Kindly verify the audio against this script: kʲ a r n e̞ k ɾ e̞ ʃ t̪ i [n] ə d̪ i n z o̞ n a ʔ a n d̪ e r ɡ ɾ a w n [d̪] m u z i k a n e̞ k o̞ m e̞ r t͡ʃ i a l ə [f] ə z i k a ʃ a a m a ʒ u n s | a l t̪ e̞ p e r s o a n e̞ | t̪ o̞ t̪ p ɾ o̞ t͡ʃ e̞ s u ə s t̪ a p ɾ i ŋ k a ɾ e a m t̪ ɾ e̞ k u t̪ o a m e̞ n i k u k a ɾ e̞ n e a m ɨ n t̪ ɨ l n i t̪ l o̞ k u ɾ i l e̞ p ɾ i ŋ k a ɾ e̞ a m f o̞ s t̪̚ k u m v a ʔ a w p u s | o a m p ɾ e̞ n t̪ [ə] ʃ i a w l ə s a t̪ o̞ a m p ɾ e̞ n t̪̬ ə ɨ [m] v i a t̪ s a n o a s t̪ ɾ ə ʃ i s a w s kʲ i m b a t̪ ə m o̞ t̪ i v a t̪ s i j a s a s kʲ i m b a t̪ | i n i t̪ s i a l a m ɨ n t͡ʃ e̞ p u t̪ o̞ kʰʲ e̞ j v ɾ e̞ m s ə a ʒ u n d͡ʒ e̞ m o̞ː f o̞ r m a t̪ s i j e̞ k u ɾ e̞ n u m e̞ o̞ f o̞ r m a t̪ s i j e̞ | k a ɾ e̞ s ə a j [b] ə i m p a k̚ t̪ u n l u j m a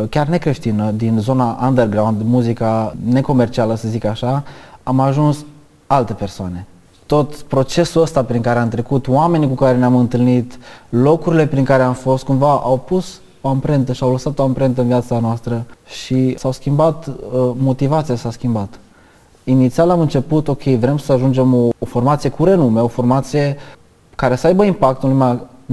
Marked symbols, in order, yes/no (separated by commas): yes, yes, no, yes, no, yes